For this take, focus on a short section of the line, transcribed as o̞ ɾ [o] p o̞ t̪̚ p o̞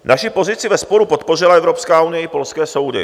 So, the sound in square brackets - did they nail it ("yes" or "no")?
no